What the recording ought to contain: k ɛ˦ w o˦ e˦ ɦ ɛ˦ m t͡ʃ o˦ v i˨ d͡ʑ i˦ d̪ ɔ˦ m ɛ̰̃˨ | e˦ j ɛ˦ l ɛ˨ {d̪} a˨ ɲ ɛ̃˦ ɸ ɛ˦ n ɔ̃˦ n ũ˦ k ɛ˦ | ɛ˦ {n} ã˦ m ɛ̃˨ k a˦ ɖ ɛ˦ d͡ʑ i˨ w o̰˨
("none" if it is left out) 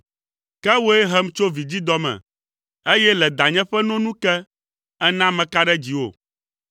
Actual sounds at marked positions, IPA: d̪, n

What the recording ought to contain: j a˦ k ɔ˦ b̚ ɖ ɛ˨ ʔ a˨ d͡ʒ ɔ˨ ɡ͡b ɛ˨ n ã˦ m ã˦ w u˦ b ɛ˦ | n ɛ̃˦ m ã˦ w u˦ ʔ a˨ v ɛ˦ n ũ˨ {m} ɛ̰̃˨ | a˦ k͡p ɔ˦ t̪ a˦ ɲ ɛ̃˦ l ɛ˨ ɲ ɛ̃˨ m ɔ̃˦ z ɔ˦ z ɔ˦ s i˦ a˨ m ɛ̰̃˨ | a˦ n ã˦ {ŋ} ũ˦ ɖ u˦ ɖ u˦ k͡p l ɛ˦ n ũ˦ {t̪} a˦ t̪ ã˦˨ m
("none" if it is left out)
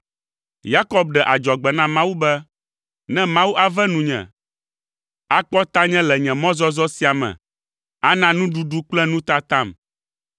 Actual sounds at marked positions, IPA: ɲ, n, t̪

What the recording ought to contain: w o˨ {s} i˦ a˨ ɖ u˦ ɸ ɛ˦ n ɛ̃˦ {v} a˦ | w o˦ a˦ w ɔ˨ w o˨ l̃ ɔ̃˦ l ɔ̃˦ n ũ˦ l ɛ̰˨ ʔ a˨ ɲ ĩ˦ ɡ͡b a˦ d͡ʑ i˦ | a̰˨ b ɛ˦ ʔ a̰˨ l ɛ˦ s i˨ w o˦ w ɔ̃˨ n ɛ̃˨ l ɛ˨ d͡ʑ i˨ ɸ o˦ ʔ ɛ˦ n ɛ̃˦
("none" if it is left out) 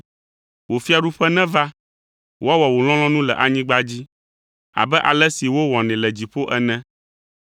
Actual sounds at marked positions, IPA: f, v

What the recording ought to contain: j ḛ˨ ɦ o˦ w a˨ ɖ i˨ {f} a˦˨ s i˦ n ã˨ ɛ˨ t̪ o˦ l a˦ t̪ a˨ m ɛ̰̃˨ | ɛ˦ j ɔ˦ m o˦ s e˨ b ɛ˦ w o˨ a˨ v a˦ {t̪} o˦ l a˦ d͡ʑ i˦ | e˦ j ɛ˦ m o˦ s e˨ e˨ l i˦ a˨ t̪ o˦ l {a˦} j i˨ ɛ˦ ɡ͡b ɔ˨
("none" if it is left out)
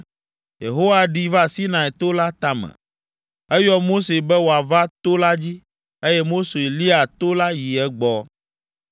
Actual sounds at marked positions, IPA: v, t̪, a˦

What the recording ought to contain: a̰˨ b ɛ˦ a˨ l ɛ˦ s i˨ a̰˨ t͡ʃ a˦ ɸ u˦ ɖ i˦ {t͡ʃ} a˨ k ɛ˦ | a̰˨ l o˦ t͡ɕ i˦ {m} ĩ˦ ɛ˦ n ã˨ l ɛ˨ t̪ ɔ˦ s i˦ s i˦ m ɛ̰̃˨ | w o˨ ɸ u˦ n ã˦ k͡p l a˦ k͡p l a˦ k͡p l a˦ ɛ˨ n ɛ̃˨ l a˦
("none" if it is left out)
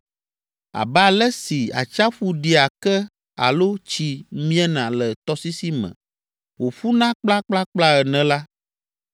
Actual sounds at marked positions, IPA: none, m

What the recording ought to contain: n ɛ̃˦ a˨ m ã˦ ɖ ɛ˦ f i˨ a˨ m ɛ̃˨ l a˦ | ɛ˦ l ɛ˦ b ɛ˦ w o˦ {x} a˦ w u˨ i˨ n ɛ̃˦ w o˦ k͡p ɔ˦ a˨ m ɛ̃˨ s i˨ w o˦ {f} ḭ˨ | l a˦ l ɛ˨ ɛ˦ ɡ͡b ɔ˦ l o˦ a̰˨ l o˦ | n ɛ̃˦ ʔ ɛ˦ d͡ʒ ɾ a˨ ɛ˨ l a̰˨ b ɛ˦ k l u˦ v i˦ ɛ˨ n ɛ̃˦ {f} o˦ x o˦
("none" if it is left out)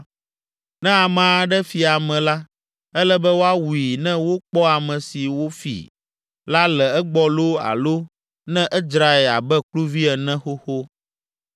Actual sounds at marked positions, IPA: none, f, x

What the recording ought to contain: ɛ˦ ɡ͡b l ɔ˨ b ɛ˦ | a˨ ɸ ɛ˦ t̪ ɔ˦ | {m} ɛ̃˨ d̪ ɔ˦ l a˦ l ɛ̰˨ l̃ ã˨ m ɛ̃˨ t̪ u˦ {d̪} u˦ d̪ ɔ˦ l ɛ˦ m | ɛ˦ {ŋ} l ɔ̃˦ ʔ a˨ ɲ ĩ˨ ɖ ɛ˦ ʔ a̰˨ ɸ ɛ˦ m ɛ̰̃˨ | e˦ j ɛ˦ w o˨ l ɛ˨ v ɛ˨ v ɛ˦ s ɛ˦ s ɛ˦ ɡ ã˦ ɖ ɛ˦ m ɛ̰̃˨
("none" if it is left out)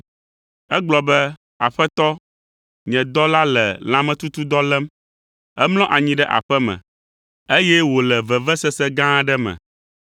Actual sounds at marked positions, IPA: ɲ, t̪, m

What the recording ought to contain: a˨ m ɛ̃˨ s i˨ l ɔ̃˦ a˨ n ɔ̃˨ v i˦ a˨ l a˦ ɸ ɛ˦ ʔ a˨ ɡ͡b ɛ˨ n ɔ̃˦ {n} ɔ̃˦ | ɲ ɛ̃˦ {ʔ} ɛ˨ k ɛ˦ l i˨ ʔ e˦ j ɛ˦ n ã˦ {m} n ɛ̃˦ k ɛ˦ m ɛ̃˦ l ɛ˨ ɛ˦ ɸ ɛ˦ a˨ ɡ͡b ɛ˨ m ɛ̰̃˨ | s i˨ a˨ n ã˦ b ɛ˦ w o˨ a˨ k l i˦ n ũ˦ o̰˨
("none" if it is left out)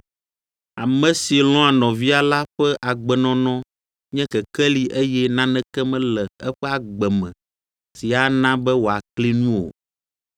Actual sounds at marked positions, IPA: n, k, none

